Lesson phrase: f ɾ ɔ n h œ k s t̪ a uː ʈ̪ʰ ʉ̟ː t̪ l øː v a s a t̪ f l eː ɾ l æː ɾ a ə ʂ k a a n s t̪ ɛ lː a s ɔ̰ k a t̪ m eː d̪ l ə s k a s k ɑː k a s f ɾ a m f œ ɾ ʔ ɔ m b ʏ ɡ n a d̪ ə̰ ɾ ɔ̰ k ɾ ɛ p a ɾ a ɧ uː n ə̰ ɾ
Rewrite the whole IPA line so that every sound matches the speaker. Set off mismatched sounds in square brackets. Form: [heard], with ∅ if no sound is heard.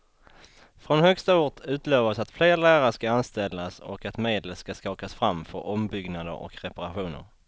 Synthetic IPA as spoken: f ɾ ɔ n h œ k s t̪ a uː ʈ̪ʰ ʉ̟ː t̪ l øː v a s a t̪ f l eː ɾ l æː ɾ a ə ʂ k a a n s t̪ ɛ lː a s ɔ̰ k a t̪ m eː d̪ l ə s k a s k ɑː k a s f ɾ a m f œ ɾ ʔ ɔ m b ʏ ɡ n a d̪ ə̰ ɾ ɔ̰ k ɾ ɛ p a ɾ a ɧ uː n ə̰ ɾ